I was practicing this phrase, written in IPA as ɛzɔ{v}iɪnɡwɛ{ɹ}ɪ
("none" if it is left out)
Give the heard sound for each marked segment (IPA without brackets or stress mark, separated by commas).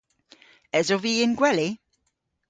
v, l